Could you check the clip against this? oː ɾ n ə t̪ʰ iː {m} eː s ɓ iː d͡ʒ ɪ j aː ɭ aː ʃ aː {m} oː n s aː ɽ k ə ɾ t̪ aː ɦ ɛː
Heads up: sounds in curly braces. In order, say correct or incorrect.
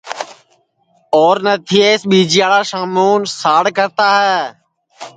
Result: incorrect, correct

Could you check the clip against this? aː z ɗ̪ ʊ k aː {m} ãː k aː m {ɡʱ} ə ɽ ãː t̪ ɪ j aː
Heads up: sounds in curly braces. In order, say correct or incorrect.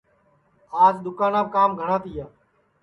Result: incorrect, correct

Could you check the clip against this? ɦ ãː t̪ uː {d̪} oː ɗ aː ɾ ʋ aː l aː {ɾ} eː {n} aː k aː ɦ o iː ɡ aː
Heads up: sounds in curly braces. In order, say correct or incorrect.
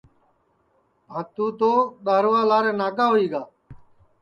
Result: incorrect, correct, correct

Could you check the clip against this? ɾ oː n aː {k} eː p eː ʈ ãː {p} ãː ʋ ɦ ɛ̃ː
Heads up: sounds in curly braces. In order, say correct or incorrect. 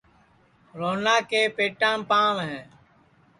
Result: correct, correct

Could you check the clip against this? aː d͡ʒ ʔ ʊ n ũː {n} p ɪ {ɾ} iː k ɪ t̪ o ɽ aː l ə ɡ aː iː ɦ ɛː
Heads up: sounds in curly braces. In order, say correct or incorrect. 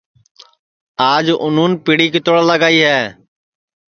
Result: correct, incorrect

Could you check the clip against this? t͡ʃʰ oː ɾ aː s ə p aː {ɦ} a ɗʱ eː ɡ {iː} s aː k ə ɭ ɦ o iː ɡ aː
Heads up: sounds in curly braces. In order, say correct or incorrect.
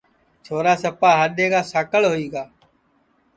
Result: correct, incorrect

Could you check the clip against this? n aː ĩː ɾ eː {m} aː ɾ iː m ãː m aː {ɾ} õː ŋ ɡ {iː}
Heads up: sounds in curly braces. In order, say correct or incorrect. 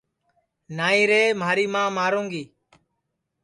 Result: correct, correct, correct

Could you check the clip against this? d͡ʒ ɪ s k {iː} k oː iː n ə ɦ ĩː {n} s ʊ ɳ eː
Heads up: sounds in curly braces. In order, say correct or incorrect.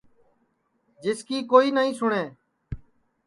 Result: correct, incorrect

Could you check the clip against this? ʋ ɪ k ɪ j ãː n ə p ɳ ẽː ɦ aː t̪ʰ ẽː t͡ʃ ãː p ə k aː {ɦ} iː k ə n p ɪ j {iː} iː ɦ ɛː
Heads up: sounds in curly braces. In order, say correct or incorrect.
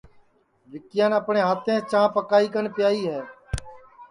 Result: incorrect, incorrect

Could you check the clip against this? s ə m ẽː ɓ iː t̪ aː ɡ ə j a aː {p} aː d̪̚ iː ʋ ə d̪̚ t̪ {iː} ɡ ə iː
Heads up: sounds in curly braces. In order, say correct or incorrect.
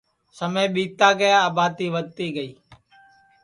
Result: incorrect, correct

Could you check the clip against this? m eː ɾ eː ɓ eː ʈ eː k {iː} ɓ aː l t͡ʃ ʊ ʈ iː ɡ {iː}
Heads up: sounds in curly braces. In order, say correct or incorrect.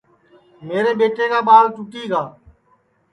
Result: incorrect, incorrect

